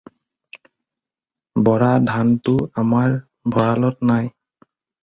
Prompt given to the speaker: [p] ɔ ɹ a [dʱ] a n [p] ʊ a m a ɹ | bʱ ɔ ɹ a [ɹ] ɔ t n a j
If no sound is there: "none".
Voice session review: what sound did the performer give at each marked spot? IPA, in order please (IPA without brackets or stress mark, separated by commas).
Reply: b, dʱ, t, l